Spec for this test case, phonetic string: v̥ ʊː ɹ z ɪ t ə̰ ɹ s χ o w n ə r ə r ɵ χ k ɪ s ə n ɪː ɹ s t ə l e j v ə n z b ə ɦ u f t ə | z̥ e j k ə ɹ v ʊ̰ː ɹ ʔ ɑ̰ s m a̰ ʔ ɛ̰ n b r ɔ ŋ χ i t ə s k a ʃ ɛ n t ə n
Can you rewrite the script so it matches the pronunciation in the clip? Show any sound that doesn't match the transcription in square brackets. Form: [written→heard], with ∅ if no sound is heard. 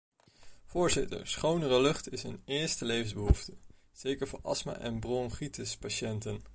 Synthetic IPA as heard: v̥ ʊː ɹ z ɪ t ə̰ ɹ s χ o w n ə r ə [r→l] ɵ χ [k→t] ɪ s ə n ɪː ɹ s t ə l e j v ə n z b ə ɦ u f t ə | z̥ e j k ə ɹ v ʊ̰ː ɹ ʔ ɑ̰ s m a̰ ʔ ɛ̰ n b r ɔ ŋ χ i t ə s [k→p] a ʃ ɛ n t ə n